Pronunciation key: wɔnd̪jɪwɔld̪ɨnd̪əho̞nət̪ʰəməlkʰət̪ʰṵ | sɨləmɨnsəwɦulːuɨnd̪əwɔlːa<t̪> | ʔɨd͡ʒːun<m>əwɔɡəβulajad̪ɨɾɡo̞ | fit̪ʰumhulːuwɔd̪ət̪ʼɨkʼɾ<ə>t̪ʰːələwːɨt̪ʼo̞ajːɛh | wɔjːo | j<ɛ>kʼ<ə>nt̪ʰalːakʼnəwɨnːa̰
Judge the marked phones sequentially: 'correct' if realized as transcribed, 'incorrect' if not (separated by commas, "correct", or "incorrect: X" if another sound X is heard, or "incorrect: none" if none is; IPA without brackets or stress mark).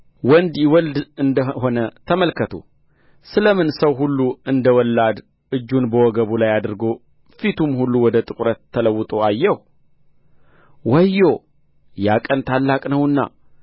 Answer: incorrect: d̪, incorrect: b, correct, incorrect: a, correct